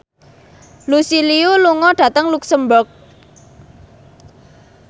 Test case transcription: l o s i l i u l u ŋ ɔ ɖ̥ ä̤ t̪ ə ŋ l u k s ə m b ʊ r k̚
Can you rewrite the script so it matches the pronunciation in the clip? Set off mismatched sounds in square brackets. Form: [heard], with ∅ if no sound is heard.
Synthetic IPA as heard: l [u] s i l i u l u ŋ ɔ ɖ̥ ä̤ t̪ ə ŋ l u k s ə m b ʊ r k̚